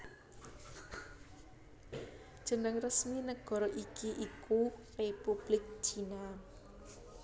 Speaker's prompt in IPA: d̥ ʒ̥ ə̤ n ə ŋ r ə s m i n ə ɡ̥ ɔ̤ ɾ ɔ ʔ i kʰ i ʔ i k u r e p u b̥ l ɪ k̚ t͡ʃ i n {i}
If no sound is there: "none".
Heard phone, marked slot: a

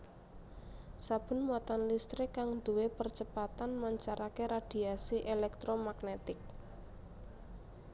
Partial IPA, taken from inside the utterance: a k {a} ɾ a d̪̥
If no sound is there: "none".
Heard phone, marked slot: e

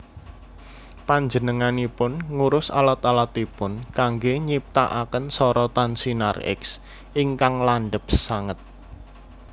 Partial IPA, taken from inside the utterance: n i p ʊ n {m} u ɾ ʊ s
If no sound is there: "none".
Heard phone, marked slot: ŋ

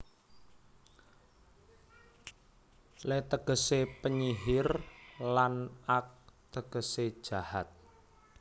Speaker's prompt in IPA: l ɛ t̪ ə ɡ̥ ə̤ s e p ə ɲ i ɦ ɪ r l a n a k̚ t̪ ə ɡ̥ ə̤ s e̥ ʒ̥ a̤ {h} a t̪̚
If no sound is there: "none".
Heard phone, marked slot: h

